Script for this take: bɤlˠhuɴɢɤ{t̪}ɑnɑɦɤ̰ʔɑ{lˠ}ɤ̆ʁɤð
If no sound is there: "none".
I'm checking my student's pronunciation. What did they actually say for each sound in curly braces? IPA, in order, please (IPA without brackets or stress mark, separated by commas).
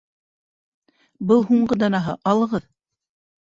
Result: d̪, lˠ